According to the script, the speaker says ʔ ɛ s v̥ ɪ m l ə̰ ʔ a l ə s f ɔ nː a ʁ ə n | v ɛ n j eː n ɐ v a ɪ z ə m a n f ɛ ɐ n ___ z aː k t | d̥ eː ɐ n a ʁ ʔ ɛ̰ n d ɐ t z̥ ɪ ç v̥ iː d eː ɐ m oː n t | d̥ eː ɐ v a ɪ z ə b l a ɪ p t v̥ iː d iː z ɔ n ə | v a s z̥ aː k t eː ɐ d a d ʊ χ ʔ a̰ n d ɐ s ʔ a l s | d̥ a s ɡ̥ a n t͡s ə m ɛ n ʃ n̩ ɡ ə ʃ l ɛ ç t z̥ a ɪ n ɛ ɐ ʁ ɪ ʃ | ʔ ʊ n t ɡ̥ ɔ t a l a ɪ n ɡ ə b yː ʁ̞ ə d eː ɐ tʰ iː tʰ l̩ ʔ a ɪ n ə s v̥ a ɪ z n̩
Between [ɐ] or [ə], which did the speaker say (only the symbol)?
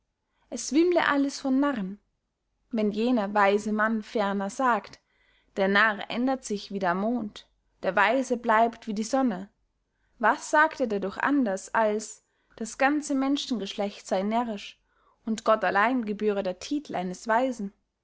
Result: ɐ